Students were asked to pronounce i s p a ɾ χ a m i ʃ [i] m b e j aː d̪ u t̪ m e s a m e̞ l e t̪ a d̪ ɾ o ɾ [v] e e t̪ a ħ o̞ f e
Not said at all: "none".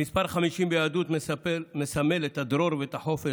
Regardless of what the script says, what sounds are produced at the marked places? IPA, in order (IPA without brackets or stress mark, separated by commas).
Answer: i, v